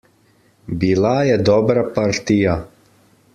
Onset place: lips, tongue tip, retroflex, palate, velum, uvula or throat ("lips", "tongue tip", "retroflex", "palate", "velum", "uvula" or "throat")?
lips